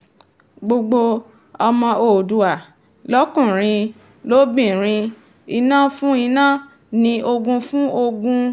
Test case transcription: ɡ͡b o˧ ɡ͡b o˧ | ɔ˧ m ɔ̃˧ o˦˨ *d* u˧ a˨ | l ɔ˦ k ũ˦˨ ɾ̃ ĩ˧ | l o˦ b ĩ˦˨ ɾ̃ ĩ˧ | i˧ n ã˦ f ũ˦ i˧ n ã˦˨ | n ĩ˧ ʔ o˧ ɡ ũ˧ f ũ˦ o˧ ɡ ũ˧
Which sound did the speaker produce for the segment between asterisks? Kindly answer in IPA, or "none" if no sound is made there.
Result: d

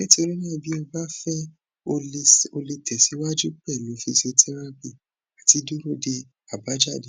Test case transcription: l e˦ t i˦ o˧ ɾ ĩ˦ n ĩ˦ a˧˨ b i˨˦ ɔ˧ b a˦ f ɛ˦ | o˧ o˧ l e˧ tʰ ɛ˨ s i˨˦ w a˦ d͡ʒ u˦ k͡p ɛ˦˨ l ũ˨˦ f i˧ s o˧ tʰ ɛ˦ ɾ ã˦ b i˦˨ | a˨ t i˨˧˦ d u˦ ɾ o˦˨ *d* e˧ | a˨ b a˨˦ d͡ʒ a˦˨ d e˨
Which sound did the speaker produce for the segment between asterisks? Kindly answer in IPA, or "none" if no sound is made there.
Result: d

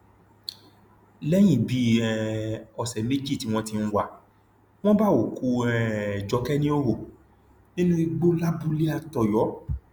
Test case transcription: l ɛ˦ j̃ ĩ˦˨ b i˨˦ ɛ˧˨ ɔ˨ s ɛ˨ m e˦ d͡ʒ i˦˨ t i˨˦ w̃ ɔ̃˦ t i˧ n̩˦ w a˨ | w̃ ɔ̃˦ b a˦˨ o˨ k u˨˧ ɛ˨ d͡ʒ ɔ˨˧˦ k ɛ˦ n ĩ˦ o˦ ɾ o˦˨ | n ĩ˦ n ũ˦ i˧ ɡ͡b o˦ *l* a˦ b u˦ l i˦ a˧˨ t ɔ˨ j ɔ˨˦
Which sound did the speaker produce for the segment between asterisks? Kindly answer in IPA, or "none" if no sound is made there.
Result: l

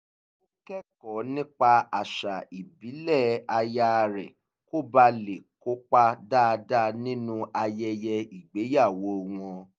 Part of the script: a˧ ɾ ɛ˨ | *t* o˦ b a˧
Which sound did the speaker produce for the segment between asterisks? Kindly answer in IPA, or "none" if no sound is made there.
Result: k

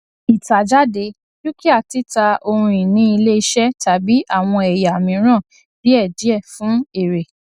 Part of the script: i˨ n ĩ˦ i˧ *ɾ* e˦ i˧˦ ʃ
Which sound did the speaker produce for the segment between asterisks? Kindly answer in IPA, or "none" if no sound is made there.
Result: l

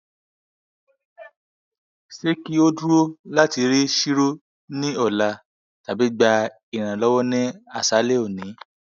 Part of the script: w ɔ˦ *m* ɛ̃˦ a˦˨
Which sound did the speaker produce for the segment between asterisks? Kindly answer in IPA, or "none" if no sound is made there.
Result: n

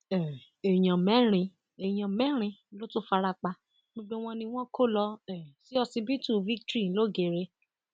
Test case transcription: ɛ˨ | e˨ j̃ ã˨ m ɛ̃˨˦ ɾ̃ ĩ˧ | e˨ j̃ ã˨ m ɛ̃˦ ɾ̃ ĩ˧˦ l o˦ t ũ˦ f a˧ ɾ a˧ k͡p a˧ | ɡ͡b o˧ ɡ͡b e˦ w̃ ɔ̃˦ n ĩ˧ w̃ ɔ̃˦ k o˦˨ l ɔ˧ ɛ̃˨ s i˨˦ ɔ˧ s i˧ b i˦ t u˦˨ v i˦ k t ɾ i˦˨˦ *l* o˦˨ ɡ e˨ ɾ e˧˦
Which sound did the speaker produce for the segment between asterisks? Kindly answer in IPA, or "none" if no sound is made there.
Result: l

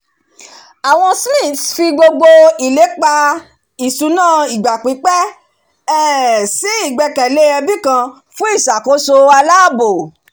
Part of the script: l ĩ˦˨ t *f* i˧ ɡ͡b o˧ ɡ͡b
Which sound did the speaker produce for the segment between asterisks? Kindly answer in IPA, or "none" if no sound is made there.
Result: f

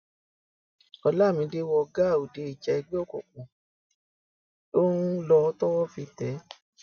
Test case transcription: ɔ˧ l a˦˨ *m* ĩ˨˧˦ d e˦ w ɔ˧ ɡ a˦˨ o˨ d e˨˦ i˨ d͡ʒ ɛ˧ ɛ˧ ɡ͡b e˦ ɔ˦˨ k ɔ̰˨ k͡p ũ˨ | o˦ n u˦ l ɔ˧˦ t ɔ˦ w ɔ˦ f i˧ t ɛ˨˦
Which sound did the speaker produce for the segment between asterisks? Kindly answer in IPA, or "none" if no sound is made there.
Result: m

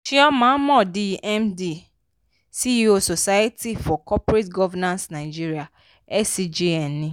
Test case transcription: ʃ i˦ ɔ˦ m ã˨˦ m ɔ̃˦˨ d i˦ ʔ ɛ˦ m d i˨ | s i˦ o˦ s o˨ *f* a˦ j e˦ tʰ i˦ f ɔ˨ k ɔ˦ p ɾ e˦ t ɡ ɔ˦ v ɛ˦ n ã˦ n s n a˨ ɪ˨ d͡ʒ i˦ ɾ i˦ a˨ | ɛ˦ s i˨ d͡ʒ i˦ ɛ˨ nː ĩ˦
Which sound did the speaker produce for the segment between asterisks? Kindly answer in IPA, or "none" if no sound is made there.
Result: s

